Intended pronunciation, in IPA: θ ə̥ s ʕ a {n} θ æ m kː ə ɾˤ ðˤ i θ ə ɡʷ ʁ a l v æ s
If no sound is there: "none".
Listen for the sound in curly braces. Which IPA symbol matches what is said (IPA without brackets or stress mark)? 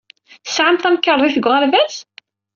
m